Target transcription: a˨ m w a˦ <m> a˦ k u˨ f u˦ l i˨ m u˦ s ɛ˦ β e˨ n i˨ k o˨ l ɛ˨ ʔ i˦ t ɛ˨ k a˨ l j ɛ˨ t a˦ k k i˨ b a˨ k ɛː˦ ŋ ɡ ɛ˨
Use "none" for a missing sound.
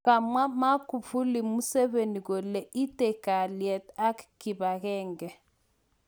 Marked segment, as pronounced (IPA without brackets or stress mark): m